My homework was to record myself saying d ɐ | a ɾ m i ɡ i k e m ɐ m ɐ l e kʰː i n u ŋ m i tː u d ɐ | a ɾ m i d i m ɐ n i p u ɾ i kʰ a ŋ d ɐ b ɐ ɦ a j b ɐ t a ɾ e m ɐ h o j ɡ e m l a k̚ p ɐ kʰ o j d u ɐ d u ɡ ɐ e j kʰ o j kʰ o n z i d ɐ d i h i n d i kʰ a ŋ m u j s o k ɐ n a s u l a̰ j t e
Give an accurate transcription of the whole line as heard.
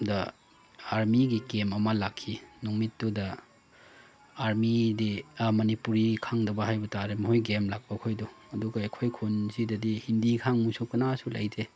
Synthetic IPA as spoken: d ɐ | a ɾ m i ɡ i k e m ɐ m ɐ l a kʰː i n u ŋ m i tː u d ɐ | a ɾ m i d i m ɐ n i p u ɾ i kʰ a ŋ d ɐ b ɐ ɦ a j b ɐ t a ɾ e m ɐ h o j ɡ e m l a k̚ p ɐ kʰ o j d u ɐ d u ɡ ɐ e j kʰ o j kʰ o n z i d ɐ d i h i n d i kʰ a ŋ m u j s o k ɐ n a s u l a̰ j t e